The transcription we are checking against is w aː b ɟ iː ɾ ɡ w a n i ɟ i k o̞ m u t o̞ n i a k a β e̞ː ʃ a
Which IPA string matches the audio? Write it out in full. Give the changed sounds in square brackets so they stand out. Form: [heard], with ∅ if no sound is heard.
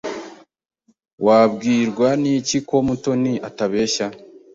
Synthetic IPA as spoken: w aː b [ɡ] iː ɾ ɡ w a n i [c] i k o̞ m u t o̞ n i a [t] a β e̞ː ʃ a